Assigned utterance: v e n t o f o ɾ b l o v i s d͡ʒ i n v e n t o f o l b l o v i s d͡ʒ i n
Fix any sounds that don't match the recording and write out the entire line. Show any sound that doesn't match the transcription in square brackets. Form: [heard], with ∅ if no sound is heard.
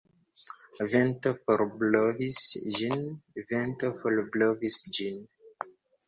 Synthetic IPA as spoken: v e n t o f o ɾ b l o v i s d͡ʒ i n v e n t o f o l b l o v i s d͡ʒ i n